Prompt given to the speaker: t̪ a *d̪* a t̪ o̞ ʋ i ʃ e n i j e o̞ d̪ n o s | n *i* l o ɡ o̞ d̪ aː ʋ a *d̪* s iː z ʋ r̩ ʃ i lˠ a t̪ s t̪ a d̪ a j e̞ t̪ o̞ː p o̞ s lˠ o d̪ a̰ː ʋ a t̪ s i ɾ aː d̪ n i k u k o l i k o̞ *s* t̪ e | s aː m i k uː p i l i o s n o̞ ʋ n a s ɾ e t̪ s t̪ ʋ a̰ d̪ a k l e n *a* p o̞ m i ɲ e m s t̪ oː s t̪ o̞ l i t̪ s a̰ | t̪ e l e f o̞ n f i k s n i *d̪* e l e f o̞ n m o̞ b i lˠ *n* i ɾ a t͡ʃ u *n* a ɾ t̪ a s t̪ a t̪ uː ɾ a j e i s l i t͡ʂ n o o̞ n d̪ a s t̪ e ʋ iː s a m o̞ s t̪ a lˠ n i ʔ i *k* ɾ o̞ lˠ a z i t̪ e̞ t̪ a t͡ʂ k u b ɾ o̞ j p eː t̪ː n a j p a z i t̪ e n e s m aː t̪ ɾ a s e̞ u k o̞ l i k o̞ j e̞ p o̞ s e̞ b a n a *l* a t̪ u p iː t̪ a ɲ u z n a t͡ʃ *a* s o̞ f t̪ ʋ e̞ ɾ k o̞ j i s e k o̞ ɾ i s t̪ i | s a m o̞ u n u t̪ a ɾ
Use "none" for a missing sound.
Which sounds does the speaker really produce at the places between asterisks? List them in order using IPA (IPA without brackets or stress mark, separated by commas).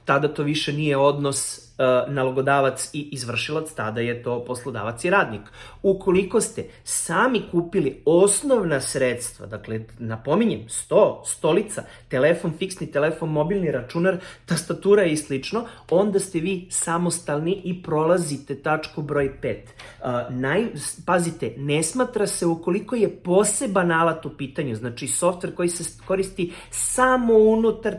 d̪, a, t̪, s, a, t̪, n, n, p, l, i